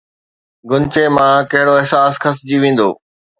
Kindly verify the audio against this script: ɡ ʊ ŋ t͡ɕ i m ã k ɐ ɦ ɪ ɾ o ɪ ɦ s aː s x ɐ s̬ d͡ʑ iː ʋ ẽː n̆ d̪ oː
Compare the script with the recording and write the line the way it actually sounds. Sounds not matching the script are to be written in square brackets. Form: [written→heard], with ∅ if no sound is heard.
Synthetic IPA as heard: ɡ ʊ [ŋ→n] t͡ɕ [i→e] m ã k ɐ ɦ ɪ [ɾ→ɽ] o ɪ ɦ s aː s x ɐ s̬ d͡ʑ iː ʋ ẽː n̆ d̪ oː